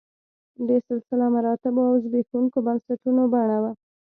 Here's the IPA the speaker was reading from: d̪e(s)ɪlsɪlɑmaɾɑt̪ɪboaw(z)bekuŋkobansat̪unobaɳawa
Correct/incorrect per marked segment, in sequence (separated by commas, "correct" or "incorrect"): correct, correct